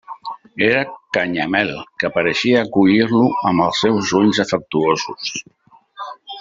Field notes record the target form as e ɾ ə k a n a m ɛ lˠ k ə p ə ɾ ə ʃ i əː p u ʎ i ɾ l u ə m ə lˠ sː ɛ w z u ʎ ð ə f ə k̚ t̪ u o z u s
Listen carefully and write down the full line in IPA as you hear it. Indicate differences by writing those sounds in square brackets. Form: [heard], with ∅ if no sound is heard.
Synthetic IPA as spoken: e ɾ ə k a [ɲ] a m ɛ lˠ k ə p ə ɾ ə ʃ i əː [k] u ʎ i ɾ l u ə m ə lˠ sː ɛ w z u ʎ [z] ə f ə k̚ t̪ u o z u s